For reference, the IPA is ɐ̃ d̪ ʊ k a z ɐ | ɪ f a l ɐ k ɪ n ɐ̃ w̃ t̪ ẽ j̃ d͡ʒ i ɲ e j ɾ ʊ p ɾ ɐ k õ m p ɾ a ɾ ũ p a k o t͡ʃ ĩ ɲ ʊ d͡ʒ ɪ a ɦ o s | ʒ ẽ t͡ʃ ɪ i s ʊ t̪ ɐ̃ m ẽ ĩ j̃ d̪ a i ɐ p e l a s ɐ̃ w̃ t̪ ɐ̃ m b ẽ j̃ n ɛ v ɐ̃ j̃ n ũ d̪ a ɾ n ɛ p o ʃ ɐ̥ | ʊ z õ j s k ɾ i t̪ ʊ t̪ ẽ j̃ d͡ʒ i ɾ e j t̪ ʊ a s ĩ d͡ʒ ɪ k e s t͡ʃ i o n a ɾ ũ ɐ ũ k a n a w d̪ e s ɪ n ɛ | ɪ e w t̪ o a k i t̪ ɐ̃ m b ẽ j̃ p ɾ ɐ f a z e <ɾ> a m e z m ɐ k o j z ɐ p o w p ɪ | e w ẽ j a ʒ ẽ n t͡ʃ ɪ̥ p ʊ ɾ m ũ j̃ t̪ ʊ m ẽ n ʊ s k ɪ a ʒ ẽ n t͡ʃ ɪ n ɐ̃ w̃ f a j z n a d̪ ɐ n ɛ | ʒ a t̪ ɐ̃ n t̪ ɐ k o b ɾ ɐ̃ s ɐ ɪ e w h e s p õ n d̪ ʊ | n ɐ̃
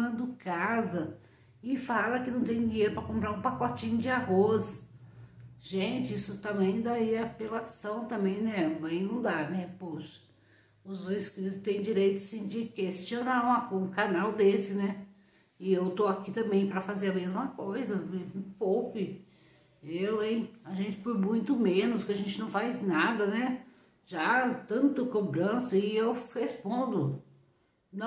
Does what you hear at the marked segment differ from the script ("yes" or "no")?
no